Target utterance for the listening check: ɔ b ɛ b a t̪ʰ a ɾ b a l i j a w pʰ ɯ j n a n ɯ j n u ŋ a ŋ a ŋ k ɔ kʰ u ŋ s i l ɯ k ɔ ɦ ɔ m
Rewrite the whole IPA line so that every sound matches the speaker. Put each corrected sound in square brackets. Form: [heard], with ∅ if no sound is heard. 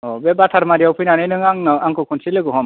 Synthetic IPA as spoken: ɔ b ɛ b a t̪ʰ a ɾ [m] a [ɾ] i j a w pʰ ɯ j n a n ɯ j n [ɯ] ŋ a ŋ a ŋ k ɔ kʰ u [n] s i l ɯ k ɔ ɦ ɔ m